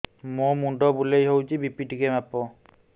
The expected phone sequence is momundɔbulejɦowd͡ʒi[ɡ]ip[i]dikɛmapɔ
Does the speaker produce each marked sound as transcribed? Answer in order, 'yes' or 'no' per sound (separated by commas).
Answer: no, yes